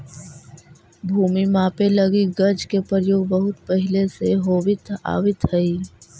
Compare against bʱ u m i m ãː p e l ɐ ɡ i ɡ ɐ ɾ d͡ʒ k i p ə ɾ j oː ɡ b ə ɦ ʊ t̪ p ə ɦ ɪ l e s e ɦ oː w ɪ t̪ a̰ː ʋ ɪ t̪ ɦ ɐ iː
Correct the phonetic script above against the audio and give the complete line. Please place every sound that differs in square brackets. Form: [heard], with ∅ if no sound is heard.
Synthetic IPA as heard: bʱ [uː] m i m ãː p e l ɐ ɡ i ɡ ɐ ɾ d͡ʒ k [e] p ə ɾ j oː ɡ b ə ɦ ʊ t̪ p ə ɦ ɪ l e s e ɦ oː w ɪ t̪ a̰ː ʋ ɪ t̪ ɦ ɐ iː